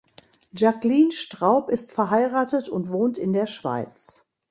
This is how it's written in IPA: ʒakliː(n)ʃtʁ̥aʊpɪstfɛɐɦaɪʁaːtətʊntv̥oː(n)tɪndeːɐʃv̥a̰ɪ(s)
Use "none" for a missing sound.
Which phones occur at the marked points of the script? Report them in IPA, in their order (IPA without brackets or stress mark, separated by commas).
n, n, t͡s